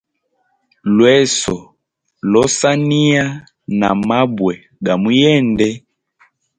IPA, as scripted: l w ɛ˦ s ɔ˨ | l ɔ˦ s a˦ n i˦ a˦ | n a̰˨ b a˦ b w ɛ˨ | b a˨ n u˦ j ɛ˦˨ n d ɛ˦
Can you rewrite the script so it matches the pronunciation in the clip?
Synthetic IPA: l w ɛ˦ s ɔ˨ | l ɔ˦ s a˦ n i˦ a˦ | n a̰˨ m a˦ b w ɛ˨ | ɡ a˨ m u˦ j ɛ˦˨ n d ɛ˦